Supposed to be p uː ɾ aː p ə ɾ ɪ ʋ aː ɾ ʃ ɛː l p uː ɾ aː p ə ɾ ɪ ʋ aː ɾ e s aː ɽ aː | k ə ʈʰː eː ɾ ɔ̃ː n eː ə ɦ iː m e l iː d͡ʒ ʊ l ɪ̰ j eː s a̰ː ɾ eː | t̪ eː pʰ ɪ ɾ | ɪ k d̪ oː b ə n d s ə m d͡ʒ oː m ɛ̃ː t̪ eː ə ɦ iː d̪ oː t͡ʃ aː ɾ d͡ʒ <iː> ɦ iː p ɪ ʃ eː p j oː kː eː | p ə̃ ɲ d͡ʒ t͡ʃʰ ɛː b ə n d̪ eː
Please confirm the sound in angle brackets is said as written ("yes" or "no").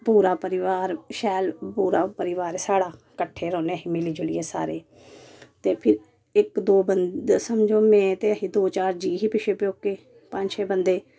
yes